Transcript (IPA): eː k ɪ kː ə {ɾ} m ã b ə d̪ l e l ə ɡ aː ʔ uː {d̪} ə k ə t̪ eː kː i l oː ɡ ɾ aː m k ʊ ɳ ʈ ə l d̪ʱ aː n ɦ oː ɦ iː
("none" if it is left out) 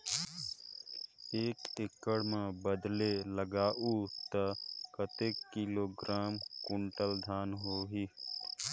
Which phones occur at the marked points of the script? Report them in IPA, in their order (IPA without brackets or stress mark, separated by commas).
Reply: ɽ, t̪